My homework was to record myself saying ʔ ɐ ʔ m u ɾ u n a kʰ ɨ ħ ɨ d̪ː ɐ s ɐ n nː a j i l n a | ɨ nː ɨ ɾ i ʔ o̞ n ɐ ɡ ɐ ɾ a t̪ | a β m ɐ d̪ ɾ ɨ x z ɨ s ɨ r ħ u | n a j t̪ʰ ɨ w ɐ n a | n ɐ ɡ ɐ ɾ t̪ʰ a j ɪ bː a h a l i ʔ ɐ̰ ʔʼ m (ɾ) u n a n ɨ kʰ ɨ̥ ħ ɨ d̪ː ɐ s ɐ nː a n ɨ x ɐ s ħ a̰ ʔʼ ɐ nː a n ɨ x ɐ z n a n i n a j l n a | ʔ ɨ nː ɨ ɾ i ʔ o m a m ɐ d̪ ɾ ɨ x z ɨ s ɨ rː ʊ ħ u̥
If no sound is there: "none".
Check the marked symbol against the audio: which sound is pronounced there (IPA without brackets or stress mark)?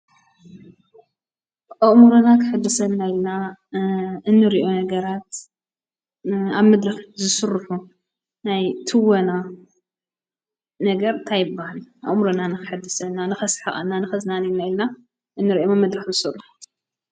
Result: ɾ